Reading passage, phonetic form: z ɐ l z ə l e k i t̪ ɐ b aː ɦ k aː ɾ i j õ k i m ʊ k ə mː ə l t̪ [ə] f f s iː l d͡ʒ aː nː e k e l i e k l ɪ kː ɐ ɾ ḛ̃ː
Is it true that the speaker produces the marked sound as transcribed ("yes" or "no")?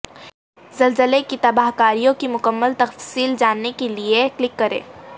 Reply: no